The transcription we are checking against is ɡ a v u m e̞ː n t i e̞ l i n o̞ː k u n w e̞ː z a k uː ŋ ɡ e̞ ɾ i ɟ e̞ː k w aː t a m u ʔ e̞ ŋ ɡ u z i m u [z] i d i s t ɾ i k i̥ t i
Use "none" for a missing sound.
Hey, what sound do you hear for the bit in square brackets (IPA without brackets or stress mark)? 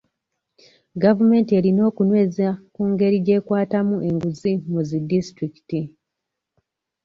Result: z